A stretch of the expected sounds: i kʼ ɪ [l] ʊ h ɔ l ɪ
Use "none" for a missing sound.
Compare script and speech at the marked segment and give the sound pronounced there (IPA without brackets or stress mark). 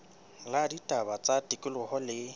l